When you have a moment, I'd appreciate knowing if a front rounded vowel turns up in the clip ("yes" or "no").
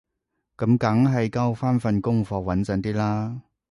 no